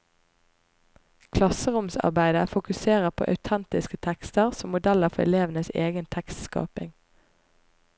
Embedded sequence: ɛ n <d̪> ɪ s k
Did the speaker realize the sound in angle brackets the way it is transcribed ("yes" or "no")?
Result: no